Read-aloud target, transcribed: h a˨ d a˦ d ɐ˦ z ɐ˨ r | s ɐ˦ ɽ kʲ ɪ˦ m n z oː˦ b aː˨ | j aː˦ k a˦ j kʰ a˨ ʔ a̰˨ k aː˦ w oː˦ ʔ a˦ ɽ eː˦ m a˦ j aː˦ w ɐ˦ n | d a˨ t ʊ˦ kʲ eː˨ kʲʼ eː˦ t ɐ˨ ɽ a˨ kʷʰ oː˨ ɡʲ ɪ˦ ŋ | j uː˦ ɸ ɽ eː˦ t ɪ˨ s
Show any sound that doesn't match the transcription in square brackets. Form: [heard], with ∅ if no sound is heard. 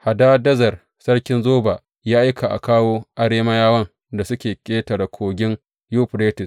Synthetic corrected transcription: h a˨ d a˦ d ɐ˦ z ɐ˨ r | s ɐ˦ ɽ kʲ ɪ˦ [∅] n z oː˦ b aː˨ | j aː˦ [ʔ] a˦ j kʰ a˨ ʔ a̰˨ k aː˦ w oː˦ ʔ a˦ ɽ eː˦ m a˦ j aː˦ w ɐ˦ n | d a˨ [s] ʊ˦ kʲ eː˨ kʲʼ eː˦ t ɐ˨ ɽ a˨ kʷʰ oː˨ ɡʲ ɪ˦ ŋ | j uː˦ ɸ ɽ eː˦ t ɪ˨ s